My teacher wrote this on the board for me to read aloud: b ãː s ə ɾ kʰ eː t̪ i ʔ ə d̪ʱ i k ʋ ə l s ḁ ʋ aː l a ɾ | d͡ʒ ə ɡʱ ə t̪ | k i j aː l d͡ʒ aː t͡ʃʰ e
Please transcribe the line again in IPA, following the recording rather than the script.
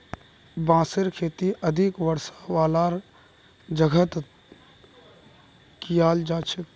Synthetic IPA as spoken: b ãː s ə ɾ kʰ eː t̪ i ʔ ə d̪ʱ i k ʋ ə ɾ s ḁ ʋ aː l a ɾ | d͡ʒ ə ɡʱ ə t̪ | k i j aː l d͡ʒ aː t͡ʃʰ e